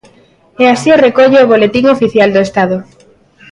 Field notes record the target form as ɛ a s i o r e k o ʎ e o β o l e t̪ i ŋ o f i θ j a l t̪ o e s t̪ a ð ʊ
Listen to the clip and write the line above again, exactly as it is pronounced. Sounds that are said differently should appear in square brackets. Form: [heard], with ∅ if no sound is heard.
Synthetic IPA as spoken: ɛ a s i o r e k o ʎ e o β o l e t̪ i ŋ o f i θ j a l [d̪] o e s t̪ a ð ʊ